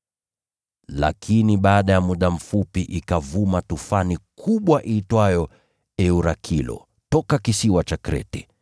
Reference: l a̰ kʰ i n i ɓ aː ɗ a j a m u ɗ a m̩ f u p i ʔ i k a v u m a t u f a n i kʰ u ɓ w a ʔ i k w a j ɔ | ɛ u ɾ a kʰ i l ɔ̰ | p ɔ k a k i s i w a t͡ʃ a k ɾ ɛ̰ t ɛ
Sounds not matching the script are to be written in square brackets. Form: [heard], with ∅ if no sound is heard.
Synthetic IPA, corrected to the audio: l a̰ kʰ i n i ɓ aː ɗ a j a m u ɗ a m̩ f u p i ʔ i k a v u m a t u f a n i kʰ u ɓ w a ʔ i [t] w a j ɔ | ɛ u ɾ a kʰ i l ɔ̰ | [t] ɔ k a k i s i w a t͡ʃ a k ɾ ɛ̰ t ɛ